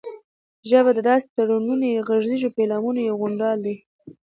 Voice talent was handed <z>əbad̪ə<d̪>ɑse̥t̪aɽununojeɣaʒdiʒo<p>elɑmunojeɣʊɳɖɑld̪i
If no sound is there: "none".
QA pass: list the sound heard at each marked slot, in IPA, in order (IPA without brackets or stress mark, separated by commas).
ʒ, d̪, p